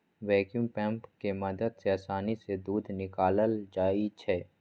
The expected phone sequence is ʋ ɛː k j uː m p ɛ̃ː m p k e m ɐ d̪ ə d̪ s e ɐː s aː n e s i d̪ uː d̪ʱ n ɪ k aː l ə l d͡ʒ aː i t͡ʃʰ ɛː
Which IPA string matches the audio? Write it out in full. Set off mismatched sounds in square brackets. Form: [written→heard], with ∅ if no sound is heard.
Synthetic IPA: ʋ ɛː k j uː m p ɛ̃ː m p k e m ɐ d̪ ə d̪ s e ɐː s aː n [e→i] s [i→e] d̪ uː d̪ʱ n ɪ k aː l ə l d͡ʒ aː i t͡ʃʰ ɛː